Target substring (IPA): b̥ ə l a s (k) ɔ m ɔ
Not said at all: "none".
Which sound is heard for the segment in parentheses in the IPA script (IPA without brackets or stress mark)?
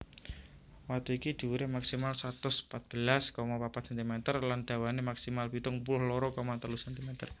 k